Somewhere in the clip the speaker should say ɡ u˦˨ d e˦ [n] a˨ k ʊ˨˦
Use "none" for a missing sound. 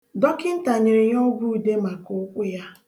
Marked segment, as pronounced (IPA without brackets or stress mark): m